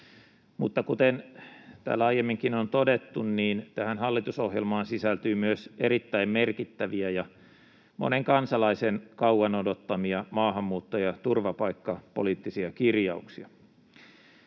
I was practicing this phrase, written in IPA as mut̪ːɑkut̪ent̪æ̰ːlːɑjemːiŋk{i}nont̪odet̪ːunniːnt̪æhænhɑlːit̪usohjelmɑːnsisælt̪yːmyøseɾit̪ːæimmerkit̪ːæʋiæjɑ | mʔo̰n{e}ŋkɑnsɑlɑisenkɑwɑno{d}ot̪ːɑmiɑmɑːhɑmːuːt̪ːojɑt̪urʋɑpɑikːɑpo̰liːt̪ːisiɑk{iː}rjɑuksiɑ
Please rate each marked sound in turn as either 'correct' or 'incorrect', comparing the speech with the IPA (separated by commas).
correct, correct, correct, incorrect